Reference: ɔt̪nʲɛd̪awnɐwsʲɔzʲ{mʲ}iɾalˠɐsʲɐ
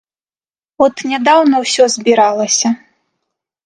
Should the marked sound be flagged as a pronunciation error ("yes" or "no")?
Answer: yes